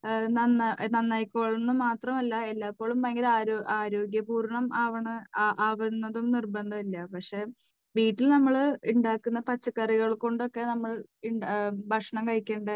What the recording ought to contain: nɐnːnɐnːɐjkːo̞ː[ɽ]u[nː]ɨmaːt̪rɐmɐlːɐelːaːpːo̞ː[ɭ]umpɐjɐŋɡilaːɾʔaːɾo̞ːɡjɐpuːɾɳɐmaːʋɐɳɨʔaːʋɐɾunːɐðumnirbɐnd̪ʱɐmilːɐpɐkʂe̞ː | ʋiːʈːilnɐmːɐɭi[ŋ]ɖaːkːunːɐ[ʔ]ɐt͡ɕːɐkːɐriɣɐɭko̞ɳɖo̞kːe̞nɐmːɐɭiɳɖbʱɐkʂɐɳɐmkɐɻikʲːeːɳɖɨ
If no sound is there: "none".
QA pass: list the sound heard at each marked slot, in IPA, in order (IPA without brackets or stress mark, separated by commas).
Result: ɭ, nː, ɭ, ɳ, p